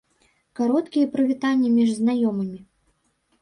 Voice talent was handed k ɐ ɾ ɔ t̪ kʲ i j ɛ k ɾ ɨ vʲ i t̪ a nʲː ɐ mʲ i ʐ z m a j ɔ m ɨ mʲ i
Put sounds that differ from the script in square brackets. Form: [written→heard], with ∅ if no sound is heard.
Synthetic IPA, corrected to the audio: k [ɐ→a] ɾ ɔ t̪ kʲ i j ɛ [k→p] ɾ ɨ vʲ i t̪ a nʲː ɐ mʲ i ʐ z [m→n] a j ɔ m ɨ mʲ i